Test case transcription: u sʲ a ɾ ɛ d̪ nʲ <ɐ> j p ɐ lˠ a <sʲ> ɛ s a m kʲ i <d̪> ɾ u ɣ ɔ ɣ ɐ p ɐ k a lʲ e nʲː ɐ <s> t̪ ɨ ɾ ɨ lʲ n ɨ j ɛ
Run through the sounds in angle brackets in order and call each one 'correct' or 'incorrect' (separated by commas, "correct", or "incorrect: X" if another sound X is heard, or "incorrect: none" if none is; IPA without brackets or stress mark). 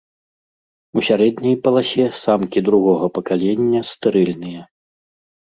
correct, correct, correct, correct